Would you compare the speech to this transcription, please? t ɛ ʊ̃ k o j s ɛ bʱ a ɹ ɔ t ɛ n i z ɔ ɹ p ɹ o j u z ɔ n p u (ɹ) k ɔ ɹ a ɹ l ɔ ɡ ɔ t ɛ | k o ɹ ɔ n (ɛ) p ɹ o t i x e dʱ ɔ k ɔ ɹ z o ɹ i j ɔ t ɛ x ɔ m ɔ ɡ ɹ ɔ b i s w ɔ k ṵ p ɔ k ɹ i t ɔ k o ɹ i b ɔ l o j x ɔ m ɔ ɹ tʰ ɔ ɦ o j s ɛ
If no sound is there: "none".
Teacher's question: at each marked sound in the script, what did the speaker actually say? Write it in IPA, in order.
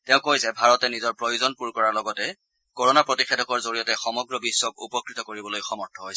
ɹ, a

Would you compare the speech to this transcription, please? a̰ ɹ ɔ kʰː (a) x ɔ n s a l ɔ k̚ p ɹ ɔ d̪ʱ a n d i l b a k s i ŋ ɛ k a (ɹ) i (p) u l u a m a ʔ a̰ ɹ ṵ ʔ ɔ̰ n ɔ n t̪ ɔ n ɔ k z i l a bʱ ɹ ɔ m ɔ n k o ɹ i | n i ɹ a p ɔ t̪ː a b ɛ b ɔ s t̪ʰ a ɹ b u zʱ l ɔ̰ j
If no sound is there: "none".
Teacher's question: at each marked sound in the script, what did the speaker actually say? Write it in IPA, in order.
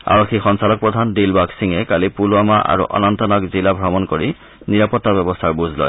i, l, p

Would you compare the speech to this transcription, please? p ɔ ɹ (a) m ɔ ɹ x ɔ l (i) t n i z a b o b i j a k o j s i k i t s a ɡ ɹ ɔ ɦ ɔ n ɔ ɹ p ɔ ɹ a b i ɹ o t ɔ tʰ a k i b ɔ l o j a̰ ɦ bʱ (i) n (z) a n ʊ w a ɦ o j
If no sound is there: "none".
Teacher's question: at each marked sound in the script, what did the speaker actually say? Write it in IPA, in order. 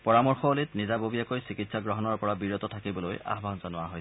a, i, a, z

